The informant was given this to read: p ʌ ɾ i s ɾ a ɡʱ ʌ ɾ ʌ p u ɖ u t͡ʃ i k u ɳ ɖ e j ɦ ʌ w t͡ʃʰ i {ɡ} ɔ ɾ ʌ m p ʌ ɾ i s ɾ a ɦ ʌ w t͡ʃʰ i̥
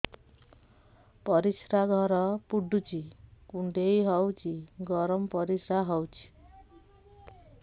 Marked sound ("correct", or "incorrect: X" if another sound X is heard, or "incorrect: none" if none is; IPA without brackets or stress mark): correct